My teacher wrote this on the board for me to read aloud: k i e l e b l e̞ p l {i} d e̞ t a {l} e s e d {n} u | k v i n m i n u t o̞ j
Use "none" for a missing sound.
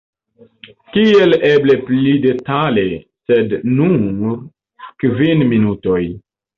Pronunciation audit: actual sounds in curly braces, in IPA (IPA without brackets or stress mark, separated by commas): i, l, n